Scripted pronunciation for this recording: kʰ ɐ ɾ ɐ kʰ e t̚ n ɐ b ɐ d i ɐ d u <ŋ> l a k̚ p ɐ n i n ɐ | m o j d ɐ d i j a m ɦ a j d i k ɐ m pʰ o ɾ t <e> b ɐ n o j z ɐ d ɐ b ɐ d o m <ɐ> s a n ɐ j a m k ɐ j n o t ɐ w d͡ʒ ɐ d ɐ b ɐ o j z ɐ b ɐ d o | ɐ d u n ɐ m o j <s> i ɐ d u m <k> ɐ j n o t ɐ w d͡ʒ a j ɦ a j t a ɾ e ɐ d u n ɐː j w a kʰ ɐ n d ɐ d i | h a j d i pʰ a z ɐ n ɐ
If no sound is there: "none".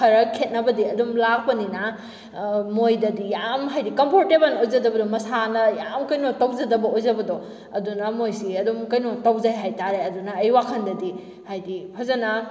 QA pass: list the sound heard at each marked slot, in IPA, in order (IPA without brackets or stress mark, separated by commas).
m, e, ɐ, s, k